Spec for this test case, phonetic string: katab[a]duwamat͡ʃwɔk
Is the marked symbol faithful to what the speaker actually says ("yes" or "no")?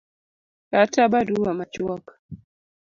yes